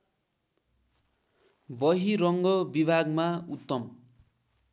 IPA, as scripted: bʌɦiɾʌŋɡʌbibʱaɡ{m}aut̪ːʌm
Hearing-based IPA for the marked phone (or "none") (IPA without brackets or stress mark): m